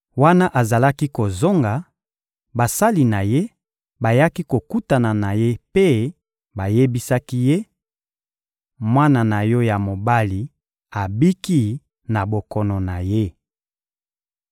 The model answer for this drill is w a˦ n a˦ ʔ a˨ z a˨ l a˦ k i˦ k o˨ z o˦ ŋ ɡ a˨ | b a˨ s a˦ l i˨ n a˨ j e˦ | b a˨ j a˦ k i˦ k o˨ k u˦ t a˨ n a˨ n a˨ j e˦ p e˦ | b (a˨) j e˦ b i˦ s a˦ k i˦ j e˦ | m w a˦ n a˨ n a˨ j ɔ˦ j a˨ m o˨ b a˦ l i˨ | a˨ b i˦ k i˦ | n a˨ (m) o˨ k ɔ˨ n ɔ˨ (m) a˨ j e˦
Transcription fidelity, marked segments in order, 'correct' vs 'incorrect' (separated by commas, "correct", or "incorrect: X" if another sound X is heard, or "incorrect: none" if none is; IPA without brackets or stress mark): correct, incorrect: b, incorrect: n